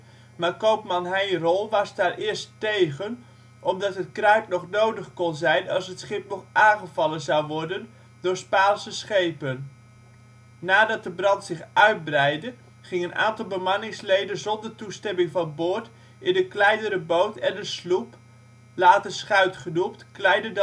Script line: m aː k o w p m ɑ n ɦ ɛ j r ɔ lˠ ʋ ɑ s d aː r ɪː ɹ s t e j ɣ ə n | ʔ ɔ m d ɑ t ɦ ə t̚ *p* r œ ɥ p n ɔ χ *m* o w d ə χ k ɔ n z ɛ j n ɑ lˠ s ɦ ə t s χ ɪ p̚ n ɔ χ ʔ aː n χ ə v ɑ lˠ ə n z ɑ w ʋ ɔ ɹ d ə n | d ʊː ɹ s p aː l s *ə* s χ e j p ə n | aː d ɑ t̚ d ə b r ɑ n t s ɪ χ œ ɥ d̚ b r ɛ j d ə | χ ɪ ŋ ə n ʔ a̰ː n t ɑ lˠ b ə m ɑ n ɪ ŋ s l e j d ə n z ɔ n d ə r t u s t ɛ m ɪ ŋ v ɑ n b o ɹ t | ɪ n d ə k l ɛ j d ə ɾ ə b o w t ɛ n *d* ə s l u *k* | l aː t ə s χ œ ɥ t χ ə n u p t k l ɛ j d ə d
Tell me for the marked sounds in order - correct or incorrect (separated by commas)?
incorrect, incorrect, correct, correct, incorrect